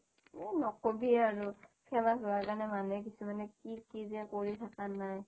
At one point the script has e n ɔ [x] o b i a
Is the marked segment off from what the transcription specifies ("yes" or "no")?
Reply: yes